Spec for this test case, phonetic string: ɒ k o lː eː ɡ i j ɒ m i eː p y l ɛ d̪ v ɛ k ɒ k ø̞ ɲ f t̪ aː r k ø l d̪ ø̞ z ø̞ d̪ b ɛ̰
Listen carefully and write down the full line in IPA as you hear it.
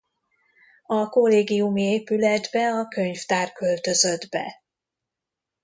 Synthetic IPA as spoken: ɒ k o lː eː ɡ i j u m i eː p y l ɛ d̪ b ɛ ɒ k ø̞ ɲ f t̪ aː r k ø l t̪ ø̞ z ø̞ d̪ b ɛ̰